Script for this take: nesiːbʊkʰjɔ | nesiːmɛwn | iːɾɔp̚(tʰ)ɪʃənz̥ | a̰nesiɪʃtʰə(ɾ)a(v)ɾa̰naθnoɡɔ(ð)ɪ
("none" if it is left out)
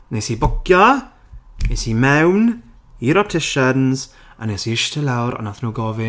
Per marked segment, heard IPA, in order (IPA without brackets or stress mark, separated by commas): tʰ, l, w, v